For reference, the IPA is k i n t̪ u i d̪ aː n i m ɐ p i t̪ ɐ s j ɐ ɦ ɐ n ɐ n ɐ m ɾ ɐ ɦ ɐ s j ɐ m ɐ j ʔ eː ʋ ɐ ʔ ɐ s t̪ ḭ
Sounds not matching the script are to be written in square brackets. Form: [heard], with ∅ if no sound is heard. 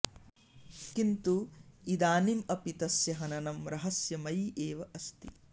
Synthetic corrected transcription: k i n t̪ u i d̪ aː n i m ɐ p i t̪ ɐ s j ɐ ɦ ɐ n ɐ n ɐ m ɾ ɐ ɦ ɐ s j ɐ m ɐ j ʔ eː ʋ ɐ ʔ ɐ s t̪ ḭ